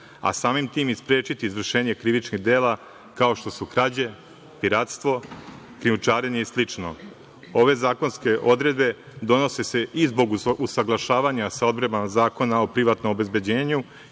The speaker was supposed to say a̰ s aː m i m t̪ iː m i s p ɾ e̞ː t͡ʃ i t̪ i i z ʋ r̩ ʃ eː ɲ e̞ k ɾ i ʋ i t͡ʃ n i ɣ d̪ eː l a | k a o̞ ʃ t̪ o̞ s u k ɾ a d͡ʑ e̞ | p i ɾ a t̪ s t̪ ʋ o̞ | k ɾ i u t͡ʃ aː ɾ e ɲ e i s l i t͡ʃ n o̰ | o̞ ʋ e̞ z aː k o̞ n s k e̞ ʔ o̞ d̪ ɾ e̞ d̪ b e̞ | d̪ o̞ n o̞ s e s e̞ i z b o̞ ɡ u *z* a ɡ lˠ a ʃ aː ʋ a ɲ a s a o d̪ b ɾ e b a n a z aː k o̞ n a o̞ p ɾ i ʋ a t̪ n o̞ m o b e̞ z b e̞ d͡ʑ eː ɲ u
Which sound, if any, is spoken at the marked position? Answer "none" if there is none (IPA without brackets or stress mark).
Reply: s